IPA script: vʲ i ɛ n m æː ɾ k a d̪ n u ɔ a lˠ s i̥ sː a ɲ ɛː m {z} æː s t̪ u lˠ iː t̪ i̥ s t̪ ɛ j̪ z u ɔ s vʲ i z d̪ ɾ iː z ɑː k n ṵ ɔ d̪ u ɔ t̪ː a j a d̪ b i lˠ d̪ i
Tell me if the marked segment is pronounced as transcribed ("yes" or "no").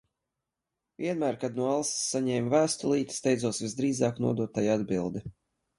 no